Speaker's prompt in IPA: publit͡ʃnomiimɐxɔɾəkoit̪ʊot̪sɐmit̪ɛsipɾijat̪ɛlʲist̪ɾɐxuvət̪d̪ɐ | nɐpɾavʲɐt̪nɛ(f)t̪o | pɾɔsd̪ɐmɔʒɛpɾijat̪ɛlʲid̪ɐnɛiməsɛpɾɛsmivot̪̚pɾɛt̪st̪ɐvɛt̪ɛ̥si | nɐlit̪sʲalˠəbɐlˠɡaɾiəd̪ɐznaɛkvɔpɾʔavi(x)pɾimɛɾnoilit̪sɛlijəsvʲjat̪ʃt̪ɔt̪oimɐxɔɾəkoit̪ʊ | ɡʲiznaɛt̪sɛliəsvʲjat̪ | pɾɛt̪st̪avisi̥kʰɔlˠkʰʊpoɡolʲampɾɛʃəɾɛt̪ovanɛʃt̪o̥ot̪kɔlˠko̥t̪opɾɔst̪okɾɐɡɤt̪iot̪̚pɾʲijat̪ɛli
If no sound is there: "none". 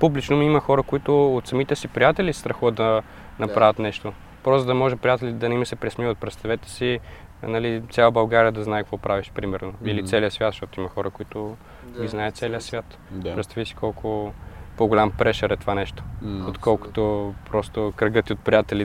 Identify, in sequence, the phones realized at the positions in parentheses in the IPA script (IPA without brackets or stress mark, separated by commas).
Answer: ʃ, ʃ